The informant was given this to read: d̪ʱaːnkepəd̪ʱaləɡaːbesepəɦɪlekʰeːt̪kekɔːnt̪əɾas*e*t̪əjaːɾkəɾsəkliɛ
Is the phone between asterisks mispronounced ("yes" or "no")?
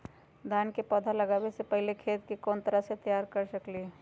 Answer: no